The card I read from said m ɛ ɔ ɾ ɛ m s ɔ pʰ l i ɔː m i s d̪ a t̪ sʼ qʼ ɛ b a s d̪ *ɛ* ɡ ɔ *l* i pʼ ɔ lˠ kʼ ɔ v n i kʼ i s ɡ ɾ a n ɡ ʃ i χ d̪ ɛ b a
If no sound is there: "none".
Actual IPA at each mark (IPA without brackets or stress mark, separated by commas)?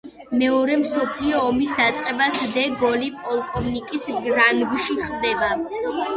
ɛ, l